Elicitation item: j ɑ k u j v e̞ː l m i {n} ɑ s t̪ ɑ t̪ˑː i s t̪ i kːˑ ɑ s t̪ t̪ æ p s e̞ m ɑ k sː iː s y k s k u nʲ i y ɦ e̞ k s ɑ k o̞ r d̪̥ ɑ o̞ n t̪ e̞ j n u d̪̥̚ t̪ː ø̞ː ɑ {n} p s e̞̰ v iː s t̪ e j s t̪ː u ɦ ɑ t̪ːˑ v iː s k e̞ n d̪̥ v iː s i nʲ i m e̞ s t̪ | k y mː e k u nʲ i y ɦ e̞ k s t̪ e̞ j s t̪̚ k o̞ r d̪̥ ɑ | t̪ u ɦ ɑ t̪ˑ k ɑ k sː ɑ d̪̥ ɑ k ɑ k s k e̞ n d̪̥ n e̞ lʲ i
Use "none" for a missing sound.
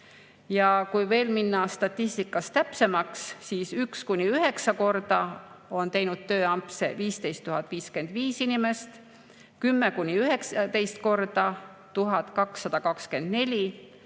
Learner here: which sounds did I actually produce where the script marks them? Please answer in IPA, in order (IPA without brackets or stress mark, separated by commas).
nː, m